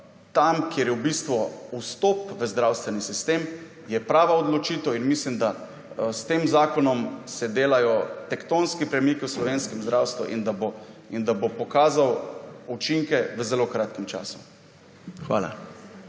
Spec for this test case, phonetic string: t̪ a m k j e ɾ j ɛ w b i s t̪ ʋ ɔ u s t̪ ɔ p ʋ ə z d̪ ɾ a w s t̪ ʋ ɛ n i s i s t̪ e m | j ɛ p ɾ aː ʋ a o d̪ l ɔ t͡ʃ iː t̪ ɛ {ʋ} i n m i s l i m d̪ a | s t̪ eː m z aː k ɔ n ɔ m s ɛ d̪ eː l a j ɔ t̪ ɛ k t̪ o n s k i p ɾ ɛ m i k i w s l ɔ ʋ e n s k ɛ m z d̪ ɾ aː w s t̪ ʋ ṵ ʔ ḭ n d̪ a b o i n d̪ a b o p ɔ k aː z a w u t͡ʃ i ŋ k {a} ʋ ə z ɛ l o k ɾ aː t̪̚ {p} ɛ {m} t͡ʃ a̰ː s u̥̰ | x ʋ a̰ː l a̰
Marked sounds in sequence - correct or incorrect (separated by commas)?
incorrect, incorrect, incorrect, correct